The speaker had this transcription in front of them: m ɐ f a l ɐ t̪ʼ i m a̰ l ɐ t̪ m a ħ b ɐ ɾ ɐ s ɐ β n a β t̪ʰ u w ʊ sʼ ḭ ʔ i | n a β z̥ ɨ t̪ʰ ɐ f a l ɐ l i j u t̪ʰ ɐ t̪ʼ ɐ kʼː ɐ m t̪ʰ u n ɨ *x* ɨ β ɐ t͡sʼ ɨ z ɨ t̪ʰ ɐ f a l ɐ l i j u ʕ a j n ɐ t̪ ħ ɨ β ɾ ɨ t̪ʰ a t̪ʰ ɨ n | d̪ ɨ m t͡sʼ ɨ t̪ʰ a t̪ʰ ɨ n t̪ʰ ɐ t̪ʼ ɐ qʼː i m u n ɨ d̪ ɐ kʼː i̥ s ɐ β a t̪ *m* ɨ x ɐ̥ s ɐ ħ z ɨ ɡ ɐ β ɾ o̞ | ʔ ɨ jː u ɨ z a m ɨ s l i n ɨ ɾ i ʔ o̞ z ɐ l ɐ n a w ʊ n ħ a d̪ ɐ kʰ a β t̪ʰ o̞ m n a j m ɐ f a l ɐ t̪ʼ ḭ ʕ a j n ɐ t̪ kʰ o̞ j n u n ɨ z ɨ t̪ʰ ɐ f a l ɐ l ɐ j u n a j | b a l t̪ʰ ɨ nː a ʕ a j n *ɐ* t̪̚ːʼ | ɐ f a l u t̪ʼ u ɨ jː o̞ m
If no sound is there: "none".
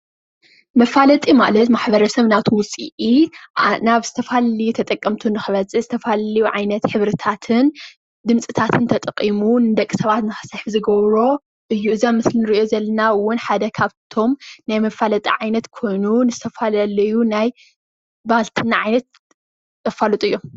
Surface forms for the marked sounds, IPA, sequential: x, n, ɐ

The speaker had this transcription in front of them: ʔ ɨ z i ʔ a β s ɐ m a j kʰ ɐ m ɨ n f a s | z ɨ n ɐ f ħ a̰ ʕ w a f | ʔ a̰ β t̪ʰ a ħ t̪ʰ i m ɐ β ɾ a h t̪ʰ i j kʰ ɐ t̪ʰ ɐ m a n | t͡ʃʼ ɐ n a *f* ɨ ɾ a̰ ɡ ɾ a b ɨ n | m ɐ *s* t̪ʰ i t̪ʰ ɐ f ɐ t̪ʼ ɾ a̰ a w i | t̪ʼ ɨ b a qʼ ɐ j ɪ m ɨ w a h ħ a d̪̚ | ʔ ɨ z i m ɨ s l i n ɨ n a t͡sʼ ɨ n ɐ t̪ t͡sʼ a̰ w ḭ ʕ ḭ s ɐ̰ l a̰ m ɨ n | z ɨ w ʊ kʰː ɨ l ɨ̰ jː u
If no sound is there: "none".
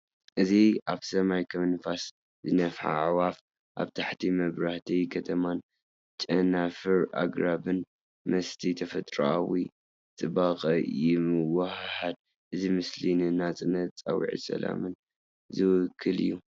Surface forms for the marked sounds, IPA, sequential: f, s

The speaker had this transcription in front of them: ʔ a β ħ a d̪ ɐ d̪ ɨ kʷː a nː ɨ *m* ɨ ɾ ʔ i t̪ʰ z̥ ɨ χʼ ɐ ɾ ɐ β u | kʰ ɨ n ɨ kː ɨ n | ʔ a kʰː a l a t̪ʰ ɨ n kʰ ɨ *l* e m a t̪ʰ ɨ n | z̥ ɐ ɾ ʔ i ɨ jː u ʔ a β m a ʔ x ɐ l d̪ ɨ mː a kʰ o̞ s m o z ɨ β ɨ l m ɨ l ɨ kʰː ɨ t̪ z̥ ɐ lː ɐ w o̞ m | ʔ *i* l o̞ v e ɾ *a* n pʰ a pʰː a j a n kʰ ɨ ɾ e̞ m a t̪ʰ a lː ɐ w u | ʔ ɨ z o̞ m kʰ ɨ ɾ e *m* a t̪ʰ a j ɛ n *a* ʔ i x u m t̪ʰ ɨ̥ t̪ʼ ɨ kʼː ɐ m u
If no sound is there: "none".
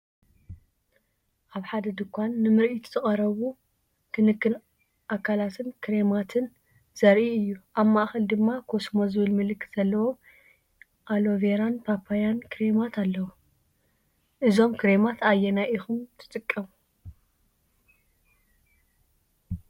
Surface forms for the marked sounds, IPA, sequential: m, ɾ, a, a, m, a

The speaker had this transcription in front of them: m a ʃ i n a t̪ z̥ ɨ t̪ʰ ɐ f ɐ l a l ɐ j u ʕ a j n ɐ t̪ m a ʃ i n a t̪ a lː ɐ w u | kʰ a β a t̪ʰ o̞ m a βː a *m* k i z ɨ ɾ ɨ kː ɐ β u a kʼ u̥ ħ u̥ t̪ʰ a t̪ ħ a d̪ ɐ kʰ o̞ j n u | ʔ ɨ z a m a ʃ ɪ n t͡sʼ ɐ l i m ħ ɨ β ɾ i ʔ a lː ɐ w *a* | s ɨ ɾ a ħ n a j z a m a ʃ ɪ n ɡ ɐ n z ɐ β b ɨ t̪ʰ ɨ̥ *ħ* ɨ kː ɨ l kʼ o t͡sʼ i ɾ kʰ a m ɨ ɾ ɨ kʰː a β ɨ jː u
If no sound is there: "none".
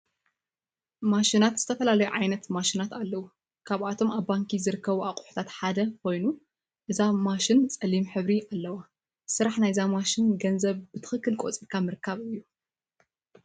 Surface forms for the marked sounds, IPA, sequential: ŋ, a, x

